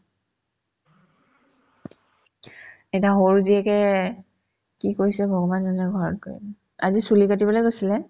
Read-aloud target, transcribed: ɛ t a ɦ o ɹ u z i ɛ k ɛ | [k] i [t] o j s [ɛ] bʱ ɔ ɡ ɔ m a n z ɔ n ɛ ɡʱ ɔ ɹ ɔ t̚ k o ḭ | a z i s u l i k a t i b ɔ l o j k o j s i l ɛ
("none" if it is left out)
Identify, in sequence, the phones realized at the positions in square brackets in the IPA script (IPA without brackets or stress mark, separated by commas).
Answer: k, k, ɛ